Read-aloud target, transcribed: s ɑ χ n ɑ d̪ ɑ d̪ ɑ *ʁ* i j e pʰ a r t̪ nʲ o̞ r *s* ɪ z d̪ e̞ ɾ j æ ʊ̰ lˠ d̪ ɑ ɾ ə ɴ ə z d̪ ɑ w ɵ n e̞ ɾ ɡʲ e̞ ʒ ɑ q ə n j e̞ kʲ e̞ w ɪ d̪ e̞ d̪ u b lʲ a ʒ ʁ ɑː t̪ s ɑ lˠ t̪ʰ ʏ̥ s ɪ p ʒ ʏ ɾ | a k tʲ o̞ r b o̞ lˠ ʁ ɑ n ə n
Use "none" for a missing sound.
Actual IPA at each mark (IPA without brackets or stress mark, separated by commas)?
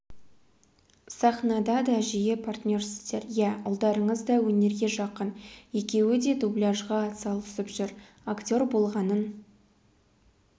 ʒ, s